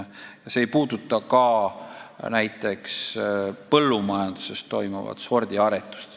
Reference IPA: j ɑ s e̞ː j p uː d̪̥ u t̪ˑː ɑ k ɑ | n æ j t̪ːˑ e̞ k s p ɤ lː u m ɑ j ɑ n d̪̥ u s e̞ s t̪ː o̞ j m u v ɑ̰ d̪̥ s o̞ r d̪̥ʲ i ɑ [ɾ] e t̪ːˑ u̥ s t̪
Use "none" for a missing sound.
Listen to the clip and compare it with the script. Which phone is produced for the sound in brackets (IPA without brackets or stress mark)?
ɾ